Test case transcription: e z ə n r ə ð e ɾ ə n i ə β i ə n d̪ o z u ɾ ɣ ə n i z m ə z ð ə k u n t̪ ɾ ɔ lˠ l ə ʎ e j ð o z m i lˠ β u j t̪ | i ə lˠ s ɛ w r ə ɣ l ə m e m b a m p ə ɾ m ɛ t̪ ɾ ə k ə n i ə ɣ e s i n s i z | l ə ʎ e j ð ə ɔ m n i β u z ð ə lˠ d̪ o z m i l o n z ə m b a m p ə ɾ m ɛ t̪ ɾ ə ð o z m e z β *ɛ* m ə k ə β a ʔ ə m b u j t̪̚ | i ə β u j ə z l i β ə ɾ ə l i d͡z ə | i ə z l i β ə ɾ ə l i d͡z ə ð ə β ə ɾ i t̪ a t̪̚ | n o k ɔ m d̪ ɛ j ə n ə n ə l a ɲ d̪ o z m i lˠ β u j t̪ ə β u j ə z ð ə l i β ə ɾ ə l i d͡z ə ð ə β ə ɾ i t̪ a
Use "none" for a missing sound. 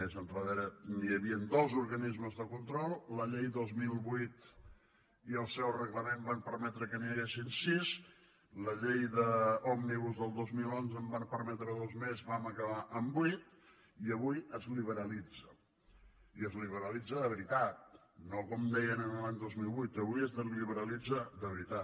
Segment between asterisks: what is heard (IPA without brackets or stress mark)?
a